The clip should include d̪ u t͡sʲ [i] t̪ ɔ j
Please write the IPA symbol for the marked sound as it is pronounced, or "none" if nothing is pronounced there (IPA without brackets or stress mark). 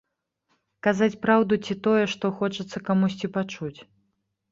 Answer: i